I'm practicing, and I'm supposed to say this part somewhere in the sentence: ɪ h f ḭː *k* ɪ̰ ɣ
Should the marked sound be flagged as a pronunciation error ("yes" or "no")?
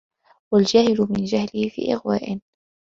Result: yes